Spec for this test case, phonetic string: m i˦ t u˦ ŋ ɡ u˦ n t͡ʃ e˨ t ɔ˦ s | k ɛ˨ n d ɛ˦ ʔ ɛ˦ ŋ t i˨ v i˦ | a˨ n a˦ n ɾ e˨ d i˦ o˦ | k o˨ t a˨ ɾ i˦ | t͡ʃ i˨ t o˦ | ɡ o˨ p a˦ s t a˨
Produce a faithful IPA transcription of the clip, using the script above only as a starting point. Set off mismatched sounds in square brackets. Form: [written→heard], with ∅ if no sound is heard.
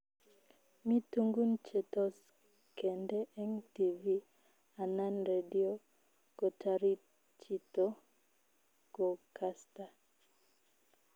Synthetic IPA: m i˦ t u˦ ŋ ɡ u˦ n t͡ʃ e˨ t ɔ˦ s | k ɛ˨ n d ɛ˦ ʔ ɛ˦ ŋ t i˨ v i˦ | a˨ n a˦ n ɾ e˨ d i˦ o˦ | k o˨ t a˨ ɾ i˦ | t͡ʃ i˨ t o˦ | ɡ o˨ [p→k] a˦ s t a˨